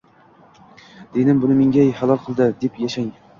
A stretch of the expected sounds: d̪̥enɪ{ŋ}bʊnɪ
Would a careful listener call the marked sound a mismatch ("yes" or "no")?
yes